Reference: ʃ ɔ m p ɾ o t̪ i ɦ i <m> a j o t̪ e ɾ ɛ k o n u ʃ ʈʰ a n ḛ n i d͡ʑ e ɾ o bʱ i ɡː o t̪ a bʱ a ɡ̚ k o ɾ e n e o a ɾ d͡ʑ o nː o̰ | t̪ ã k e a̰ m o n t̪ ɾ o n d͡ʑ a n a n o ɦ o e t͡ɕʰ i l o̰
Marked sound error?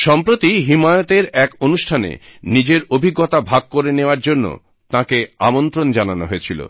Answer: no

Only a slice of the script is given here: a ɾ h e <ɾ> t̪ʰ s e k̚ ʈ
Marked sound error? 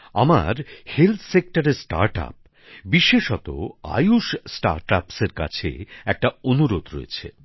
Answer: yes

